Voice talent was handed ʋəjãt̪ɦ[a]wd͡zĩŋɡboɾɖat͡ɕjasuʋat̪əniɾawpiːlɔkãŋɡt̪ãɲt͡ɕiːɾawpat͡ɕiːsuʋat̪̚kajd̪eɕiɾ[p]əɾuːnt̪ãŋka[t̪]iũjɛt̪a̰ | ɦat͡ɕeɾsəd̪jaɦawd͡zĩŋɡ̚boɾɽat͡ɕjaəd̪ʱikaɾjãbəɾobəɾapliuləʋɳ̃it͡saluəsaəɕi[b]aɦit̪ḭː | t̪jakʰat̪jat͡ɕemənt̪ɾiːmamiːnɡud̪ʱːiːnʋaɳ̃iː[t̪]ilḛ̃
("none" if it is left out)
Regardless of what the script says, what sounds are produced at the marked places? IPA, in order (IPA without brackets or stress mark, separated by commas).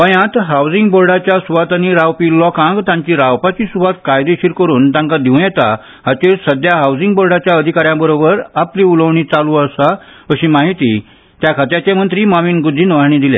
a, k, d̪, m, d̪